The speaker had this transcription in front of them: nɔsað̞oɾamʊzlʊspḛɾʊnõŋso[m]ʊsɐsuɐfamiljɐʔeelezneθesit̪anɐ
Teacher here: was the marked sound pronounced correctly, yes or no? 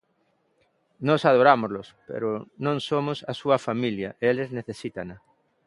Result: yes